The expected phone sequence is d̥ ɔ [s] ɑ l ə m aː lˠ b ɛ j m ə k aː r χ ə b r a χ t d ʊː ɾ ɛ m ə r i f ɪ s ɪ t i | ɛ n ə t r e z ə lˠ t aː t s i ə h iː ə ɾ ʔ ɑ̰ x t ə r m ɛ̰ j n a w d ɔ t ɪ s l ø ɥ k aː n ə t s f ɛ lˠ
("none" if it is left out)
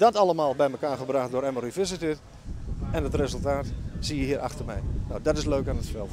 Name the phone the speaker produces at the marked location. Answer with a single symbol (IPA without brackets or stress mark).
t